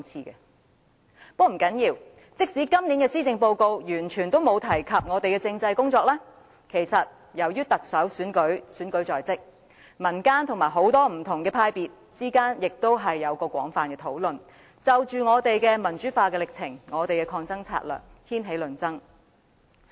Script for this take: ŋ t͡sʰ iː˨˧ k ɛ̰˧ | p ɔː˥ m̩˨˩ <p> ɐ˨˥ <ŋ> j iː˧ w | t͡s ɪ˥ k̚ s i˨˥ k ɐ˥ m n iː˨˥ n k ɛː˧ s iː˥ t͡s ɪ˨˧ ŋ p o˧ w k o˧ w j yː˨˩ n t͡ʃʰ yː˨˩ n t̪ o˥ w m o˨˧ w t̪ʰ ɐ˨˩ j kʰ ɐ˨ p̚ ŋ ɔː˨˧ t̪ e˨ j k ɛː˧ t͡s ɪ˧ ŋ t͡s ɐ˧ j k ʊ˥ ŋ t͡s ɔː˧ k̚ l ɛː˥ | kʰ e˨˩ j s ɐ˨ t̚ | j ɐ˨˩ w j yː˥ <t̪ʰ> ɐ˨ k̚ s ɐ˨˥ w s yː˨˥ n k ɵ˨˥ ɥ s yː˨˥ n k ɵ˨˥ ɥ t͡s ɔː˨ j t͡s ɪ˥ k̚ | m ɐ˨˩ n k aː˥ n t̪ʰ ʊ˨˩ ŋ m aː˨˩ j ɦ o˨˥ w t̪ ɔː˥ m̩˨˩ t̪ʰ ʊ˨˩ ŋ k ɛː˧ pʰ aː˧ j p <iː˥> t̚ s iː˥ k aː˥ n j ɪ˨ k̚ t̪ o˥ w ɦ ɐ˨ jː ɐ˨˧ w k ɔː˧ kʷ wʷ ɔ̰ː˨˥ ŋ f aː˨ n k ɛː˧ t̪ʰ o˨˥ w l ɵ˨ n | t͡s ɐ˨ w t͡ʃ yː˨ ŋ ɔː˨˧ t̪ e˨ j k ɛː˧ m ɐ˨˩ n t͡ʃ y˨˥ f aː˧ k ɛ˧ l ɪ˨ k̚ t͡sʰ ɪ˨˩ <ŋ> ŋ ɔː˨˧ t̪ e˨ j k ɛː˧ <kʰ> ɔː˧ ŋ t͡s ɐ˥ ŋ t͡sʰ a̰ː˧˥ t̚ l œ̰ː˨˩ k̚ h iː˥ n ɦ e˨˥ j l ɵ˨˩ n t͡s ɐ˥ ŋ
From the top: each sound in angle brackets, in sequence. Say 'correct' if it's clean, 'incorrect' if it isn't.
incorrect: k, incorrect: n, incorrect: t̪, incorrect: iː˨, correct, correct

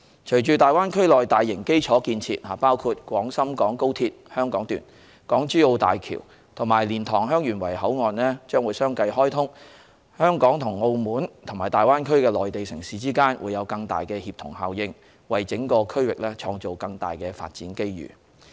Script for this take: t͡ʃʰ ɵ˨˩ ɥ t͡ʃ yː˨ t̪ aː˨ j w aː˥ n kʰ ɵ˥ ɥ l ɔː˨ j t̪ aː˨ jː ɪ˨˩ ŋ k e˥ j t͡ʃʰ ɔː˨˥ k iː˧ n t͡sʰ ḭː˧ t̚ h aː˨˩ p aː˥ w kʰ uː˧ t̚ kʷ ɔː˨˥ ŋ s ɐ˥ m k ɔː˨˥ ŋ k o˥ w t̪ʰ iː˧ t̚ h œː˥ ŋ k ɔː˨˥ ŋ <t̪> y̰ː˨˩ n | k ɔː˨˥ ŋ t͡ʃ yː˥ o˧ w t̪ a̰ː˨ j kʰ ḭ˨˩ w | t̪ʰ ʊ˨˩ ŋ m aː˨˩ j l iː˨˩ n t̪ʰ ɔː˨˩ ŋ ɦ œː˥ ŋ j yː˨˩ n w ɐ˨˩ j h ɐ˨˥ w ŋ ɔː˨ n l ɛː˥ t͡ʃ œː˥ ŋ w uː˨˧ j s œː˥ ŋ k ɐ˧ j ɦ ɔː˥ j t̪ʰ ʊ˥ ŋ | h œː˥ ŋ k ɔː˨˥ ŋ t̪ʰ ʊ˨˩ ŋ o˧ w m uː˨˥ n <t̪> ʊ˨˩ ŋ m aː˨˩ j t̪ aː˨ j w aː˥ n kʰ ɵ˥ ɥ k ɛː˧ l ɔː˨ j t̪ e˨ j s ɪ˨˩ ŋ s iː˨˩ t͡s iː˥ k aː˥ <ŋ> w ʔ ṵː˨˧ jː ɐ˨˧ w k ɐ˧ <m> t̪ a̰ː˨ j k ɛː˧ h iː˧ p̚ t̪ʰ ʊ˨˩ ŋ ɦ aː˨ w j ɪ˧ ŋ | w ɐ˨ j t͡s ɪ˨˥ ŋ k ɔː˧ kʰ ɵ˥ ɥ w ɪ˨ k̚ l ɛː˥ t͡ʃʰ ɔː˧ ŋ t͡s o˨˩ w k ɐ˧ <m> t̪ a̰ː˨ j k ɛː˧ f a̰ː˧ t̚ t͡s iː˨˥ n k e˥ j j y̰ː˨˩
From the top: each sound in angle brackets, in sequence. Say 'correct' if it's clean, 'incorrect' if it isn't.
correct, incorrect: t̪ʰ, incorrect: n, incorrect: ŋ, incorrect: ŋ

